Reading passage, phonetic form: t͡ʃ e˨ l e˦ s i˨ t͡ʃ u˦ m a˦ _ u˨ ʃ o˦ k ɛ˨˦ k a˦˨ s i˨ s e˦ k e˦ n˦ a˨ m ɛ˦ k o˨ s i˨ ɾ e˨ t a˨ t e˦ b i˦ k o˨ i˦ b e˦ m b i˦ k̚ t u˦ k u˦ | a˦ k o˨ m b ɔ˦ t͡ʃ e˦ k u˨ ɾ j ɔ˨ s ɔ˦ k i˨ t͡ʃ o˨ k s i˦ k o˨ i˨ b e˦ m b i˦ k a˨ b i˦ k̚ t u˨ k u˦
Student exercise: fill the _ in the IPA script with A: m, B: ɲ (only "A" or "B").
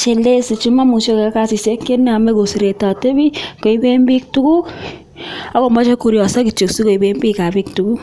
A